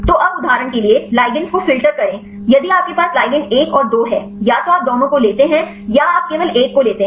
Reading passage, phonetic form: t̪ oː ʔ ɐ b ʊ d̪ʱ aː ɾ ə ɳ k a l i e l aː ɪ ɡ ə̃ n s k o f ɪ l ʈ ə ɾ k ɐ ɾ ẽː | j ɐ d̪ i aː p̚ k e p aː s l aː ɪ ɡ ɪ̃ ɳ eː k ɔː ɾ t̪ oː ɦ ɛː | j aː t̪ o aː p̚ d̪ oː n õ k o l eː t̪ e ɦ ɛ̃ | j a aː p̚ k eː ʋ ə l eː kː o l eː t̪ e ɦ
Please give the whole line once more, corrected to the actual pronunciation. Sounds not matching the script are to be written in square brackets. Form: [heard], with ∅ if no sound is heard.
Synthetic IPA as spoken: t̪ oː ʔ ɐ b ʊ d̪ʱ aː ɾ ə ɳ k [e] l i e l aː ɪ ɡ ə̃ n s k o f ɪ l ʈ ə ɾ k ɐ ɾ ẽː | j ɐ d̪ i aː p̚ k e p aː s l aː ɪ ɡ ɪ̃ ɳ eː k ɔː ɾ [d̪] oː ɦ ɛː | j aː t̪ o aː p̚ d̪ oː n õ k o l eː t̪ e ɦ ɛ̃ | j a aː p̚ k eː ʋ ə l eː kː o l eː t̪ e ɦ